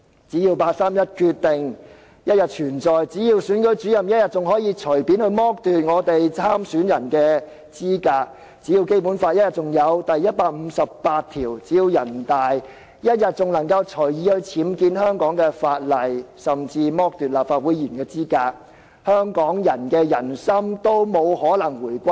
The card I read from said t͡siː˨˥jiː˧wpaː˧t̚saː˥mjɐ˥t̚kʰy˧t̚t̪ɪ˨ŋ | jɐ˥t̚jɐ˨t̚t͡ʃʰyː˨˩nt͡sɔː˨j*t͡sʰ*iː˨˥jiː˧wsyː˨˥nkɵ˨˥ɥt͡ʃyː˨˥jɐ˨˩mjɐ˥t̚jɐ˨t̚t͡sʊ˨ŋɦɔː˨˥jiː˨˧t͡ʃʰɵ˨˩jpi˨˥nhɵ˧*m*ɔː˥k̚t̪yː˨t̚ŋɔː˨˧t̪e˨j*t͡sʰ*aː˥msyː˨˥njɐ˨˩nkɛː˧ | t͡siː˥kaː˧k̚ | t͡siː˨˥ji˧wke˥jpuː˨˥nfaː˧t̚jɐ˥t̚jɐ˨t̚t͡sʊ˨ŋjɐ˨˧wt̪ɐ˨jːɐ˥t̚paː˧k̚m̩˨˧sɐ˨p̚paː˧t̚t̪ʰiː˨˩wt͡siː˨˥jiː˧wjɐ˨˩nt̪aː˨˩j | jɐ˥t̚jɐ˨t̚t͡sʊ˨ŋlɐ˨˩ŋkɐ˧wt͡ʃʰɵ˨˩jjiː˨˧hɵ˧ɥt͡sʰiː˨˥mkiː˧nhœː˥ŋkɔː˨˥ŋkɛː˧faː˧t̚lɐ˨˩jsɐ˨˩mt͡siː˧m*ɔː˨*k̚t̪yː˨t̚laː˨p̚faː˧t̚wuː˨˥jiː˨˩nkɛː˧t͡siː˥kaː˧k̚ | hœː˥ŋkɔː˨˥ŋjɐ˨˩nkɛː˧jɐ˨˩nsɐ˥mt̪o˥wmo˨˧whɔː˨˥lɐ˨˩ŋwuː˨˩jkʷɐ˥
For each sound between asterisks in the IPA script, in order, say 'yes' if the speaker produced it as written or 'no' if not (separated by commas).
no, yes, yes, no